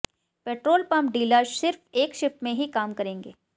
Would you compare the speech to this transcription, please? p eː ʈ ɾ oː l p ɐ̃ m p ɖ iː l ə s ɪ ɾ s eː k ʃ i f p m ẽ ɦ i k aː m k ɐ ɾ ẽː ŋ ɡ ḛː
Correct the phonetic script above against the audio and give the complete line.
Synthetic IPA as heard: p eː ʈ ɾ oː l p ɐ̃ m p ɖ iː l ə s ɪ ɾ f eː k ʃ ɪ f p m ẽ ɦ i k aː m k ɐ ɾ ẽː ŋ ɡ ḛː